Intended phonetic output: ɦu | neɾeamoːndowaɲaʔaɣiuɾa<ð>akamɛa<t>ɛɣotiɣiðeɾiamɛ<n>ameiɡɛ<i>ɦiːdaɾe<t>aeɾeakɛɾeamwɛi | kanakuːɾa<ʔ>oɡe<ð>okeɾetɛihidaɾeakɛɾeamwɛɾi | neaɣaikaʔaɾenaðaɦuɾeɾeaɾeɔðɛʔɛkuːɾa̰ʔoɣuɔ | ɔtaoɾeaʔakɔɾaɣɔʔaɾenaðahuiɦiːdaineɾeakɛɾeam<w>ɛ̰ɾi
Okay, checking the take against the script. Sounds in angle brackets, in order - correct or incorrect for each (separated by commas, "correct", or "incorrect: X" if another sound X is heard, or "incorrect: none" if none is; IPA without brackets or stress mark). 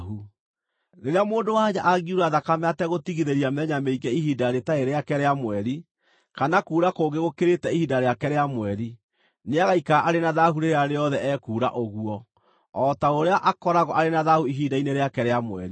correct, correct, incorrect: ɲ, correct, correct, incorrect: k, incorrect: ɣ, correct